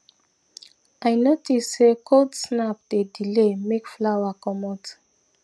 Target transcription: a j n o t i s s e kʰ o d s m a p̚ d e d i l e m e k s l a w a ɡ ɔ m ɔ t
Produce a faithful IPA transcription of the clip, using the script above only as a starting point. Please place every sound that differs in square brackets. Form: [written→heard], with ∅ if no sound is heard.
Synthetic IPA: a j n o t i s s e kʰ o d s [m→n] a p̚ d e d i l e m e k [s→f] l a w a [ɡ→k] ɔ m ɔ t